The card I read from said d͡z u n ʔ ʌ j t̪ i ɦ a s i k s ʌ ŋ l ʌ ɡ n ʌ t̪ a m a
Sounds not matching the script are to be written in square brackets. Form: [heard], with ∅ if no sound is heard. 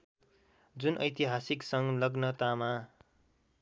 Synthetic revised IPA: d͡z u n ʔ ʌ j t̪ i ɦ a s i k s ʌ ŋ l ʌ ɡ n ʌ t̪ a m a